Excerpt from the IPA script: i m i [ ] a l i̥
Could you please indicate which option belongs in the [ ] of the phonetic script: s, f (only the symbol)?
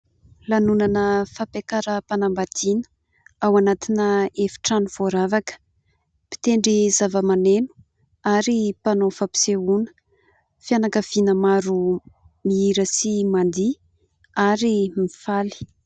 f